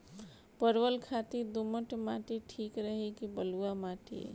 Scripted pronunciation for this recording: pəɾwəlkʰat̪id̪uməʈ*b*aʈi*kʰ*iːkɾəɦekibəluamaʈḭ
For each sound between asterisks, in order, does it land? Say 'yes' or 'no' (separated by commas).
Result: no, no